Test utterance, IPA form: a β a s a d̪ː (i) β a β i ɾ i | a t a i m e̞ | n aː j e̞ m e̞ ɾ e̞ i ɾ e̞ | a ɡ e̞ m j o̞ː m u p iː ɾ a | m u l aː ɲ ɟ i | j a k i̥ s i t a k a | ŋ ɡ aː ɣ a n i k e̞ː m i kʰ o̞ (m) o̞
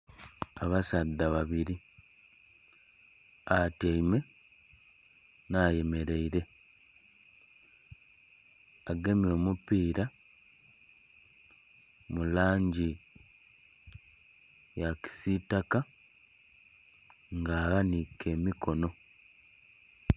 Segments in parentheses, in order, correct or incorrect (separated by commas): incorrect, incorrect